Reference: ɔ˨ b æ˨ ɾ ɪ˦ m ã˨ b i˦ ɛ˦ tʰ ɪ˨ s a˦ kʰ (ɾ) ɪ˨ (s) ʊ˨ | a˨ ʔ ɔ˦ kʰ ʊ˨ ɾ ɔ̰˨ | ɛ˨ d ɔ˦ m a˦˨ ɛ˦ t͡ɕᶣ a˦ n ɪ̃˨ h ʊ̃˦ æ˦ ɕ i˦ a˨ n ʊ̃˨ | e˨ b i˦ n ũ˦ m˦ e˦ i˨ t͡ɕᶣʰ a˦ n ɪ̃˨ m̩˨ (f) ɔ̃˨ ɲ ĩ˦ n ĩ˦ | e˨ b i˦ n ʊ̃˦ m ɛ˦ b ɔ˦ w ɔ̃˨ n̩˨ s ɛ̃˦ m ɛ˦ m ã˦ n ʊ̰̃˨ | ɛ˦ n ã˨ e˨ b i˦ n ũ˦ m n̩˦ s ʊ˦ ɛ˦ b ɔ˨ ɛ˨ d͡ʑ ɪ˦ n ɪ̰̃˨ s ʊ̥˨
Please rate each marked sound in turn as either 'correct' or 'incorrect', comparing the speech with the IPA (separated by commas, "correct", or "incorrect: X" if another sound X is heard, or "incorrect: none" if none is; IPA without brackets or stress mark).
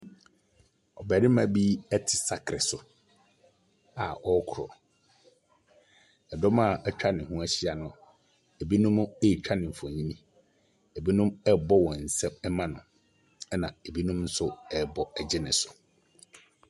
correct, correct, correct